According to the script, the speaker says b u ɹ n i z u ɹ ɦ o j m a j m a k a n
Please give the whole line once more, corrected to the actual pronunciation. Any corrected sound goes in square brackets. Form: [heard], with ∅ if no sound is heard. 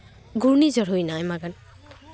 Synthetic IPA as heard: [ɡ] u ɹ n i z [ɔ] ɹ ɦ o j [n] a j m a [ɡ] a n